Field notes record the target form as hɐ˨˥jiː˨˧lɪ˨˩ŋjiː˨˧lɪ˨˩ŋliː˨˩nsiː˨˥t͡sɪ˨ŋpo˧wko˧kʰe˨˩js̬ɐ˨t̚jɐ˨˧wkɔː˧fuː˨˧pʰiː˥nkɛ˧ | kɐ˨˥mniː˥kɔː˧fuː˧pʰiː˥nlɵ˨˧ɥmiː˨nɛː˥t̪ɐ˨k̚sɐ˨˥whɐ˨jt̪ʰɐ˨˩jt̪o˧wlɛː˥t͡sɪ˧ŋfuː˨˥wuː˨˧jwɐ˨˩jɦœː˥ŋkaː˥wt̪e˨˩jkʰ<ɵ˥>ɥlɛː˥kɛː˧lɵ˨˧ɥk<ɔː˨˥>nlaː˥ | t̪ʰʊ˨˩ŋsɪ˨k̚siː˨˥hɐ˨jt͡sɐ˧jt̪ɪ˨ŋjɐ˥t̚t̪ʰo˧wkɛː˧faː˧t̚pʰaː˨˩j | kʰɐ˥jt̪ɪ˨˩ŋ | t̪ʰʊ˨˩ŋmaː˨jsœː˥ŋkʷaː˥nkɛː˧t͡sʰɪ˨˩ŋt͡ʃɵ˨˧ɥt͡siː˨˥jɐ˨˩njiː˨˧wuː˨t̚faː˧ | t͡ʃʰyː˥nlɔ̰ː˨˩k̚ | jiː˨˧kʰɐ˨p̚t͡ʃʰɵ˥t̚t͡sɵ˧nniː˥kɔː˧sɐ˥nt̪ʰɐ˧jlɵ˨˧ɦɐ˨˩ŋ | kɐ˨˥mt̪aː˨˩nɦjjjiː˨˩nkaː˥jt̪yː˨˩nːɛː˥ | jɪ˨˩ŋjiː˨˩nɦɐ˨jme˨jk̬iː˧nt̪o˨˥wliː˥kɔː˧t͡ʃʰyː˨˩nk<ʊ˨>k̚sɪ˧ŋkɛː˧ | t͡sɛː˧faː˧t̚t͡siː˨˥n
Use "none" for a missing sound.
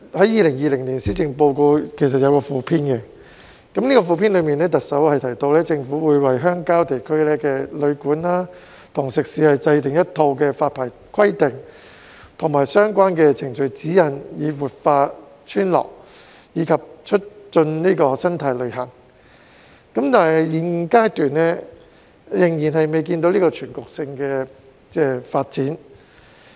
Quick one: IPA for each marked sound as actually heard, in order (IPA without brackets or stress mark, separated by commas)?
ɵ˥, uː˨˥, ʊ˨